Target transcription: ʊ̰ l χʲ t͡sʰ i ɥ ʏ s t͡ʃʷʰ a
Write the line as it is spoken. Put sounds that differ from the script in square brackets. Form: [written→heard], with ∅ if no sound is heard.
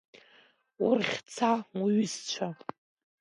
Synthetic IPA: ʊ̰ [l→r] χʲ t͡sʰ [i→a] ɥ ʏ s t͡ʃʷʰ a